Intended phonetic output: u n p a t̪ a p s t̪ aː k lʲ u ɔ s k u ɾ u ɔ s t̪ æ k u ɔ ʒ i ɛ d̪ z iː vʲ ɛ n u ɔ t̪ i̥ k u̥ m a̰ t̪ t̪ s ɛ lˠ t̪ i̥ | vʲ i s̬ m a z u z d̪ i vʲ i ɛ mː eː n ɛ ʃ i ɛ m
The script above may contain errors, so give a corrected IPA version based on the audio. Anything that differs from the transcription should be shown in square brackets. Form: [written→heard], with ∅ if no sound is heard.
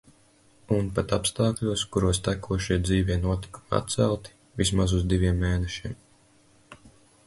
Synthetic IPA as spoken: u n p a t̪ a p s t̪ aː k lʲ u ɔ s k u ɾ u ɔ s t̪ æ k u ɔ [ʒ→ʃ] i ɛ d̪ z iː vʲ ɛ n u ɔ t̪ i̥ k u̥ m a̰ t̪ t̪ s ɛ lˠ t̪ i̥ | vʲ i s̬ m a z u z d̪ i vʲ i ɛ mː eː n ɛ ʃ i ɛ m